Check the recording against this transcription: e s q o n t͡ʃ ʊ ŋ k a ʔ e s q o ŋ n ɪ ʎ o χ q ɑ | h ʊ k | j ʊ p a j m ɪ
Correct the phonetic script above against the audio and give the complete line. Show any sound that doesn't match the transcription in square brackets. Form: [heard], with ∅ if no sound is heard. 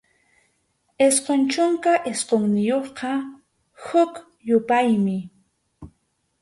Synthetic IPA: e s q o n t͡ʃ ʊ ŋ k a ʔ e s q o ŋ n ɪ [j] o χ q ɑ | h ʊ k | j ʊ p a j m ɪ